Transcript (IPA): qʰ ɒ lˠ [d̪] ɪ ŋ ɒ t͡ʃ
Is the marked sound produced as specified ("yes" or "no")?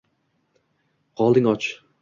yes